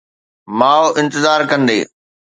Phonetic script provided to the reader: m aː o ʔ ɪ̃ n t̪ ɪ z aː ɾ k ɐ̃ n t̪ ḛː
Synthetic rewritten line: m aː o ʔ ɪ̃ n t̪ ɪ z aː ɾ k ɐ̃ n d̪ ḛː